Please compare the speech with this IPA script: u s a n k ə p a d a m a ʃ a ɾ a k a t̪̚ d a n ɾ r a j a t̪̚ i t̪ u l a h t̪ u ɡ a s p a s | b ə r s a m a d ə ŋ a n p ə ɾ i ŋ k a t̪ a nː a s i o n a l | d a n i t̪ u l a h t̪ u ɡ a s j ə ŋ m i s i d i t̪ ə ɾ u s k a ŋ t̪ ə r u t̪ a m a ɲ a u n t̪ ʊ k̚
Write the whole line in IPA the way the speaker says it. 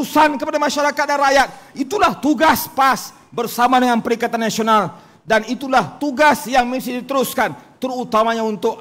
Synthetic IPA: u s a n k ə p a d a m a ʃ a ɾ a k a t̪̚ d a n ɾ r a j a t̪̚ i t̪ u l a h t̪ u ɡ a s p a s | b ə r s a m a d ə ŋ a n p ə ɾ i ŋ k a t̪ a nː a s i o n a l | d a n i t̪ u l a h t̪ u ɡ a s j a ŋ m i s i d i t̪ ə ɾ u s k a n t̪ ə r u t̪ a m a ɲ a u n t̪ ʊ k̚